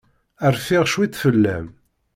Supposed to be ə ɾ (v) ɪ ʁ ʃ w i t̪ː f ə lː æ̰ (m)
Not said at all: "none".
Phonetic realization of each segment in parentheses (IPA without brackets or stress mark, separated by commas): f, m